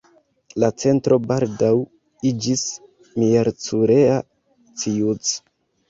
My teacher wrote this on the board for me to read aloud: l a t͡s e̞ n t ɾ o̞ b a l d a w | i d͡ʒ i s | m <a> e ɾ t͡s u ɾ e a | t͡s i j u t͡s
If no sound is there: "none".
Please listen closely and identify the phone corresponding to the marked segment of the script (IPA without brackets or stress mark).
i